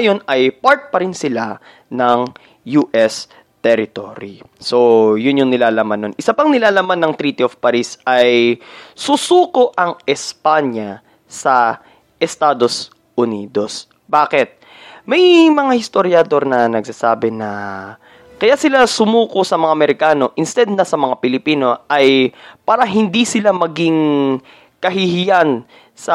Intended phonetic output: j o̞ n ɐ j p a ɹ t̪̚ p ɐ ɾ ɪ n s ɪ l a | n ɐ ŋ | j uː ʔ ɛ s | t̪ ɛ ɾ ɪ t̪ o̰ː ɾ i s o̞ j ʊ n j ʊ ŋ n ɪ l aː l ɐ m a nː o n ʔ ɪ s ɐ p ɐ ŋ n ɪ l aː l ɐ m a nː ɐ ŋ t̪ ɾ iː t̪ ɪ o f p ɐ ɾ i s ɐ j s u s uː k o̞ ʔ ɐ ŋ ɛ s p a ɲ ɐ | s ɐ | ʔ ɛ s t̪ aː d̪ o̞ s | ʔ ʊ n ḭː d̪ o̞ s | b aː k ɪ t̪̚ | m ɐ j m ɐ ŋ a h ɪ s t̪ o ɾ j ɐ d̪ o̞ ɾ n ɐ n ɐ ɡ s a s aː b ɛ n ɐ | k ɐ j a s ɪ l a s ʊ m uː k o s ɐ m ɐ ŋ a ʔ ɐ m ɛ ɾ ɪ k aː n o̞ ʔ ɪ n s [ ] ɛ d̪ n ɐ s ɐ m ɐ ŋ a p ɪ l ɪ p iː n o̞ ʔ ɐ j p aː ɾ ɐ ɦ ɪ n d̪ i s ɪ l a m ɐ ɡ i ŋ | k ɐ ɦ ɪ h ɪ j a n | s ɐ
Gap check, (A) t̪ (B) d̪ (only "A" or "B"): A